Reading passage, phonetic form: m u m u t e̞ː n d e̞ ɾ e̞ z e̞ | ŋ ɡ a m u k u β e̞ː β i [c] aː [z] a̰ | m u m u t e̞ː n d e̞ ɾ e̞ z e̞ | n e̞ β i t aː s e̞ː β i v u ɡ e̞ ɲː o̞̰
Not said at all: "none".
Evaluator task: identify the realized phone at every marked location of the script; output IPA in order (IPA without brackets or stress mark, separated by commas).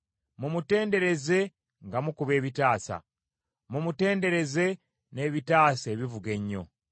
t, s